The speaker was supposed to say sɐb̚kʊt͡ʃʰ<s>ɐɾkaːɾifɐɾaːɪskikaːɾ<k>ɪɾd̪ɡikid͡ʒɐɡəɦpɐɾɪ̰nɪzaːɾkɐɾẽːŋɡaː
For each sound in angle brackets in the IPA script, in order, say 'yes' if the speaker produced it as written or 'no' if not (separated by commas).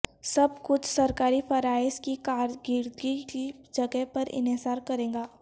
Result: yes, no